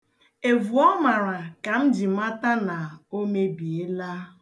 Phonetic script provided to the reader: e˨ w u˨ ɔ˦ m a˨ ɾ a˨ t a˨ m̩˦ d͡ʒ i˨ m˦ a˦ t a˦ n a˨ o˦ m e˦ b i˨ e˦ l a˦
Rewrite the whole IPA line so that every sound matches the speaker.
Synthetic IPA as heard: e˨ v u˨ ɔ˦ m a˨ ɾ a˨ k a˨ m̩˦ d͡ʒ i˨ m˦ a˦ t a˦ n a˨ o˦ m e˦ b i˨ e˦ l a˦